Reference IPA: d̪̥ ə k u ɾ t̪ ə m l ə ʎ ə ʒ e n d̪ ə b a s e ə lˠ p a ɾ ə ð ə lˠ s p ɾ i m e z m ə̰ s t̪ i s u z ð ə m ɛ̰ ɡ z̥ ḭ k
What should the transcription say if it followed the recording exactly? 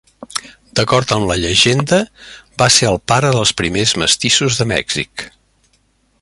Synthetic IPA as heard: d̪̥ ə k ɔ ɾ t̪ ə m l ə ʎ ə ʒ e n d̪ ə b a s e ə lˠ p a ɾ ə ð ə lˠ s p ɾ i m e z m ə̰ s t̪ i s u z ð ə m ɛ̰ ɡ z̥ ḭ k